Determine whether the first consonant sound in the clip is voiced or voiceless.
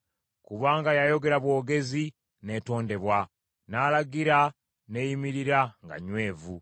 voiceless